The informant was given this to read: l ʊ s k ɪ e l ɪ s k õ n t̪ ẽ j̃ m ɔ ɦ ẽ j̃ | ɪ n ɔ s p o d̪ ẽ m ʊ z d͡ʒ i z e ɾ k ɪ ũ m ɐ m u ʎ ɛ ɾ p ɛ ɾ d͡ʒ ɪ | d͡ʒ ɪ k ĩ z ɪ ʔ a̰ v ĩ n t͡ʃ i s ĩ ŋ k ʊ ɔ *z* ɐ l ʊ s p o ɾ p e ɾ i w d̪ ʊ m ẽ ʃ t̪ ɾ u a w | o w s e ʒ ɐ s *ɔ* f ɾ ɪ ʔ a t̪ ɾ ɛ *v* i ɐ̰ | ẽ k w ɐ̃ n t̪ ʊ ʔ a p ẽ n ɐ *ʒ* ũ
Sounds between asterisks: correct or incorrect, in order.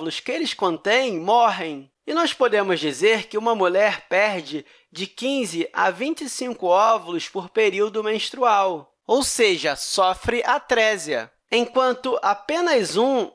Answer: incorrect, correct, incorrect, incorrect

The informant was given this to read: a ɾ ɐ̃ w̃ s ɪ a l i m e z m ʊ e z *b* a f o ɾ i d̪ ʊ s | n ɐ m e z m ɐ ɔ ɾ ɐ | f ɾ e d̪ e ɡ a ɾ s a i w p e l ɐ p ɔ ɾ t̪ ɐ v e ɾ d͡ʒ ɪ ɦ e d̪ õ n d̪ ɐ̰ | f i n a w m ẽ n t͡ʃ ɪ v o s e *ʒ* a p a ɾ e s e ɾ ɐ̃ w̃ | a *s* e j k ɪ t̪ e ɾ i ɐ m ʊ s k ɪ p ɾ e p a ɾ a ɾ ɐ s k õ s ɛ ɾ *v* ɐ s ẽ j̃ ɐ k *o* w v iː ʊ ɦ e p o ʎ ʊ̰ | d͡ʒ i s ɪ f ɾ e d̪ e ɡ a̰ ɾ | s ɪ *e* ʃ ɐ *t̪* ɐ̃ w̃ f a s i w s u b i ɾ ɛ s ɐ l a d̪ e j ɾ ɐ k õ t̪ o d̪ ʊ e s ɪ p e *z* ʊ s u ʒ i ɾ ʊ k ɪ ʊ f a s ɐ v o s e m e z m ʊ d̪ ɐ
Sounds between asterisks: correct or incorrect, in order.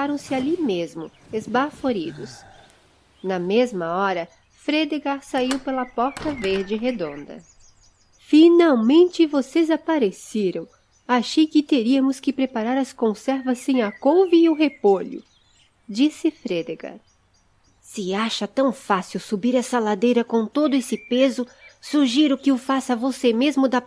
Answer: correct, incorrect, incorrect, correct, correct, incorrect, correct, correct

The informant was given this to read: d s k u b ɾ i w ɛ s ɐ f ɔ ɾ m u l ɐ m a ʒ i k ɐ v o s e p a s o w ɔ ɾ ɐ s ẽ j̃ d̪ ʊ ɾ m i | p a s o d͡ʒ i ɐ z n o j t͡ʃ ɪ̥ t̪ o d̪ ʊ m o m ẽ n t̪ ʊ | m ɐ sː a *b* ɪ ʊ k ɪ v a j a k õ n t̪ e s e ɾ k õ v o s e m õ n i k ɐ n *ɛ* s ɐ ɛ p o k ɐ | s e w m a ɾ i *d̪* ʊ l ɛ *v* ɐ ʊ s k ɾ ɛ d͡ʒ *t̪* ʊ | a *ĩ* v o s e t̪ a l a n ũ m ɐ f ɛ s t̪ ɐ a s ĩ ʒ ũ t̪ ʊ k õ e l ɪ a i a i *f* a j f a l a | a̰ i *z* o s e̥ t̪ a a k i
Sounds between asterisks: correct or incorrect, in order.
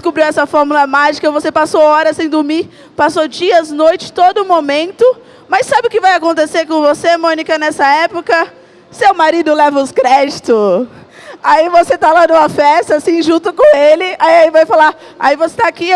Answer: correct, correct, correct, correct, correct, incorrect, incorrect, incorrect

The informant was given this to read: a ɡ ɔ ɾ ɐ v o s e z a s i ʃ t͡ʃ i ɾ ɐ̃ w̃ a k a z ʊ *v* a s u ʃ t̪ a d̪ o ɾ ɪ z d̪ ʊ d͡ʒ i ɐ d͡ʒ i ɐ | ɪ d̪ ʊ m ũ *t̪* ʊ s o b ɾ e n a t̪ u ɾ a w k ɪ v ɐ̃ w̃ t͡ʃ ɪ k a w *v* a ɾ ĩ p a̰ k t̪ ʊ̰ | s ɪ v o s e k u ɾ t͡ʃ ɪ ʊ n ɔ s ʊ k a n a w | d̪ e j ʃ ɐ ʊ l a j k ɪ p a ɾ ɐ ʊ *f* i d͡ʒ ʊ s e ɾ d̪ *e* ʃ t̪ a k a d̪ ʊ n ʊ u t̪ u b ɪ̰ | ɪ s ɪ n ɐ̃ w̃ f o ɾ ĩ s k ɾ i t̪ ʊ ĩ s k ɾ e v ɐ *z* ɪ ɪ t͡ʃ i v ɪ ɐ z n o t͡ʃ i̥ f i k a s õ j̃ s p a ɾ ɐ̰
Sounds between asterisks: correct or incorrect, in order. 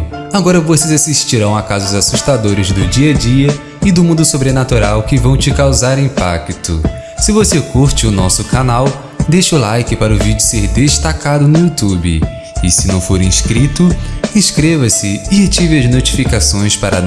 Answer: incorrect, incorrect, incorrect, incorrect, correct, incorrect

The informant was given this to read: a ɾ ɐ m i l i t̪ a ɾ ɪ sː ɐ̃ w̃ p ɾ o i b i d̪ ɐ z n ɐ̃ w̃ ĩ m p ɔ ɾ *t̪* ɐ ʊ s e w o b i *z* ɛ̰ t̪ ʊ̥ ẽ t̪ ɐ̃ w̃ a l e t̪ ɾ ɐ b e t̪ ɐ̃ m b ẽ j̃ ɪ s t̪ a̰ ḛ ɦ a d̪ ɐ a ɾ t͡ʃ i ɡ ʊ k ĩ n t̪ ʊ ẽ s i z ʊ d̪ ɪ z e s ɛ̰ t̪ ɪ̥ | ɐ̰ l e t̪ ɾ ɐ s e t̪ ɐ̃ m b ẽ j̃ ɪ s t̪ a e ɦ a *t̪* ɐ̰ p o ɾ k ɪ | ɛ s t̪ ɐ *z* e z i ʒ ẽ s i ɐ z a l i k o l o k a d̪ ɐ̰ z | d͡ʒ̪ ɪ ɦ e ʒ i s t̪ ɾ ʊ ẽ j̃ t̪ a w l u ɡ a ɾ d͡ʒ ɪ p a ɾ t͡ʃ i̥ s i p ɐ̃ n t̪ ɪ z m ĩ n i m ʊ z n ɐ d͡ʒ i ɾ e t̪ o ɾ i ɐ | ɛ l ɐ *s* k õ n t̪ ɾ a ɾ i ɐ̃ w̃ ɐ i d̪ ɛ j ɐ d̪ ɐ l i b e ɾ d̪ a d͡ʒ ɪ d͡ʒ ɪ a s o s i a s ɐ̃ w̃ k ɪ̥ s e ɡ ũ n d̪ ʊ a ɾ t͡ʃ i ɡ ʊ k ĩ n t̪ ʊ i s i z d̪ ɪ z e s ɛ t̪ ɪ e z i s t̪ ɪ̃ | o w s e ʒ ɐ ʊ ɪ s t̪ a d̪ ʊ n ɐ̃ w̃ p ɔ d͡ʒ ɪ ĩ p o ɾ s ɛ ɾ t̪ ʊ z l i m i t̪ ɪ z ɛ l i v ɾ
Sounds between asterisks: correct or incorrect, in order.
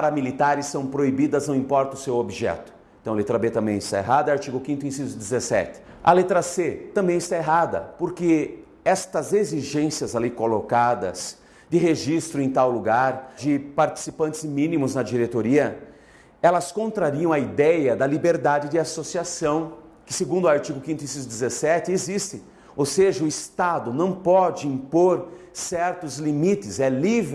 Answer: correct, incorrect, incorrect, correct, correct

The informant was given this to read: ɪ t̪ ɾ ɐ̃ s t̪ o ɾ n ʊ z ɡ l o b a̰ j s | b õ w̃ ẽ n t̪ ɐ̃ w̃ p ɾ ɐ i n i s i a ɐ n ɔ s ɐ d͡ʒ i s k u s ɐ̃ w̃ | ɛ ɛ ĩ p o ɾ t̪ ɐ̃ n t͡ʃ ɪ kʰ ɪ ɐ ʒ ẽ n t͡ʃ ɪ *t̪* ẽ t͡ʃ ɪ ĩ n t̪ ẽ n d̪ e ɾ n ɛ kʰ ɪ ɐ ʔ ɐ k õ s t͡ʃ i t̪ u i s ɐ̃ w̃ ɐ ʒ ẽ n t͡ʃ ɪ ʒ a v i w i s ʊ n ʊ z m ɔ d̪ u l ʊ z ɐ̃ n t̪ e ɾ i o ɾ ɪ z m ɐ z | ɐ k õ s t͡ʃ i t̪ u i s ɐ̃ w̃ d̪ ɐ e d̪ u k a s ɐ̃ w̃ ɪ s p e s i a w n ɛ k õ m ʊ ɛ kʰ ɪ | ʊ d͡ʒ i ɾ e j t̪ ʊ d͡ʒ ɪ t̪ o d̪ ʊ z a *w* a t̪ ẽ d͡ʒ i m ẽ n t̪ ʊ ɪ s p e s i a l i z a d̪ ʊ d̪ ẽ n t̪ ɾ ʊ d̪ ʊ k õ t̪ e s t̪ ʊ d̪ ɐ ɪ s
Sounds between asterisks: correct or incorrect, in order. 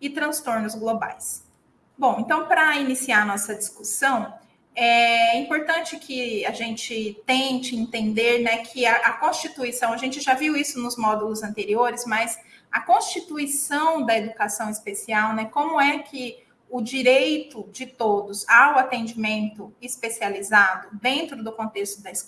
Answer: correct, correct

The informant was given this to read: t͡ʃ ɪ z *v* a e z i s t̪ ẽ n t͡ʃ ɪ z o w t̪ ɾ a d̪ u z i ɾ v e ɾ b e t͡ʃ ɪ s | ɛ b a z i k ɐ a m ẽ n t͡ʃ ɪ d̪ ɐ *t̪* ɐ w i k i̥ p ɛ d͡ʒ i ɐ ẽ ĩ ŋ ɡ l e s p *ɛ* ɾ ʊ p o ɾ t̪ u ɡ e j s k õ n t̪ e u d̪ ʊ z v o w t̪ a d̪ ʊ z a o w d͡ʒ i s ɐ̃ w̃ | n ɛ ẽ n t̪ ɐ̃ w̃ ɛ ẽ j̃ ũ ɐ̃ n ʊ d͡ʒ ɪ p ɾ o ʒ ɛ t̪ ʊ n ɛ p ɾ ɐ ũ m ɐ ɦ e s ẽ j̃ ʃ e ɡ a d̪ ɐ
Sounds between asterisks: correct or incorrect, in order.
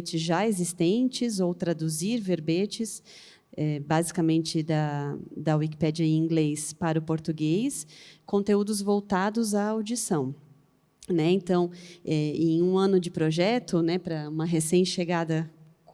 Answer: incorrect, incorrect, incorrect

